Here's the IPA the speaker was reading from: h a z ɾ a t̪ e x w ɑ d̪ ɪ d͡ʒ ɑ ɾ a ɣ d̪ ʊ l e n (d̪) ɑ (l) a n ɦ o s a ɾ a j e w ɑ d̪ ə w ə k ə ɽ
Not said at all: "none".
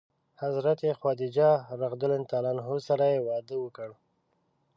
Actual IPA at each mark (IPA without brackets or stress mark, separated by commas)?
t̪, l